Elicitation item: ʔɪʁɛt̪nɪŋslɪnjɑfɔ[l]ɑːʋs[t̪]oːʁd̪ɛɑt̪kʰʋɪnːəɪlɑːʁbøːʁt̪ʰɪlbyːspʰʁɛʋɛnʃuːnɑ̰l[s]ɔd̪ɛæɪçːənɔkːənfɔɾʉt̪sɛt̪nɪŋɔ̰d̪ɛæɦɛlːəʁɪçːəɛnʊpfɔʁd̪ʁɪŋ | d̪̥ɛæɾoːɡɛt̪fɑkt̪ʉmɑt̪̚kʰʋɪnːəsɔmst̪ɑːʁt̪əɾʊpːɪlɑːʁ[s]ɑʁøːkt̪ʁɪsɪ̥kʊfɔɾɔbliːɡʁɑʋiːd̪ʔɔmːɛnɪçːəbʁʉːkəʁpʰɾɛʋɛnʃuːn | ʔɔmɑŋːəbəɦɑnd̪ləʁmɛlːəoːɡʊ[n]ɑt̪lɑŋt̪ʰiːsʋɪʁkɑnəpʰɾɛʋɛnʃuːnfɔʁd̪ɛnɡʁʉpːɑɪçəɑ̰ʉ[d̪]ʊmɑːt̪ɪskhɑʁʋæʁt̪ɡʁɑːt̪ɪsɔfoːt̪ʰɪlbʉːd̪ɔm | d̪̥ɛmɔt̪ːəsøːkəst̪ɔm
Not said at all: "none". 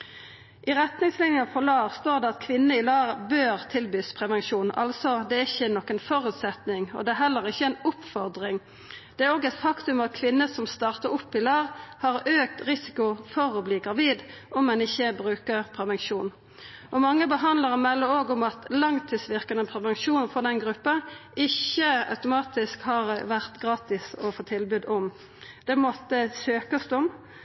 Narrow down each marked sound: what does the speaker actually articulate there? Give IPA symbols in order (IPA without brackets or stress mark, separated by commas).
l, t̪, s, h, m, t̪